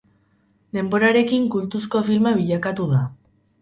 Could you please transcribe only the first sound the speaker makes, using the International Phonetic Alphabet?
d̪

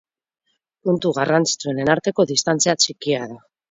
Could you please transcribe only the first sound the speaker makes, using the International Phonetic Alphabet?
p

